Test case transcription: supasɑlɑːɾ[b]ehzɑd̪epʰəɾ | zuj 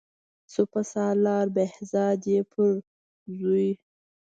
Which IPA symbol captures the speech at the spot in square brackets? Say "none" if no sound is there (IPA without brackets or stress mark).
b